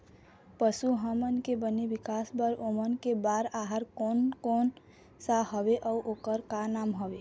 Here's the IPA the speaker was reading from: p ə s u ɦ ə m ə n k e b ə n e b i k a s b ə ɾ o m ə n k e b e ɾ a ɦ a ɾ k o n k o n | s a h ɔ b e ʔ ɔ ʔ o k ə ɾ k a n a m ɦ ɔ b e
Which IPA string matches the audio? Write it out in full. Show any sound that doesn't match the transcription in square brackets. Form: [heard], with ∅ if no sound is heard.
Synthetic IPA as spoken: p ə s u ɦ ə m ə n k e b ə n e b i k a s b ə ɾ o m ə n k e b [a] ɾ a ɦ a ɾ k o n k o n | s a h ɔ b e ʔ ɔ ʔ o k ə ɾ k a n a m ɦ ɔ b e